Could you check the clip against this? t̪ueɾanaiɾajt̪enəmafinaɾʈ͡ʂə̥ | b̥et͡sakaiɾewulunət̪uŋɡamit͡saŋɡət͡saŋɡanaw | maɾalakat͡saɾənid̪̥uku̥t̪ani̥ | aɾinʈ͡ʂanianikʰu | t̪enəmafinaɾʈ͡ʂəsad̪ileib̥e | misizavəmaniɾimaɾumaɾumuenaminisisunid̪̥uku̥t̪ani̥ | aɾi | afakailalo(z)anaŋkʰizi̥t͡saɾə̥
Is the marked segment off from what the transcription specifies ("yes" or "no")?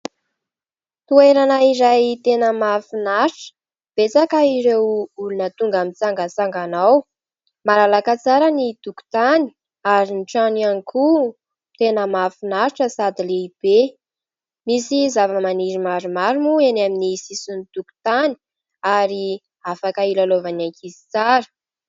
yes